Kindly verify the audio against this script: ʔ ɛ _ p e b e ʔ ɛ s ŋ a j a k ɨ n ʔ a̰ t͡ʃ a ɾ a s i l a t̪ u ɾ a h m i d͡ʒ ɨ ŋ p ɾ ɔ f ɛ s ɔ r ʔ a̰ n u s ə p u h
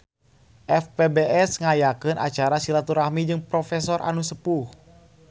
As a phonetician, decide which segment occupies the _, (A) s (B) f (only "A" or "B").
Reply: B